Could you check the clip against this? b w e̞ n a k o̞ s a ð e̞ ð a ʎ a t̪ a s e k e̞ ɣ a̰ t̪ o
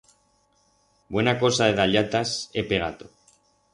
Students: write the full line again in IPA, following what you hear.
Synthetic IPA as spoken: b w e̞ n a k o̞ s a ð e̞ ð a ʎ a t̪ a s e p e̞ ɣ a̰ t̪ o